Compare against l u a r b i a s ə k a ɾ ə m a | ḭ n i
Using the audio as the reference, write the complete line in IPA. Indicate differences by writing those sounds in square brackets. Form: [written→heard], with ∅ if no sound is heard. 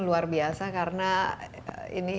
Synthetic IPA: l u a r b i a s [ə→a] k a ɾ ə [m→n] a | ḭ n i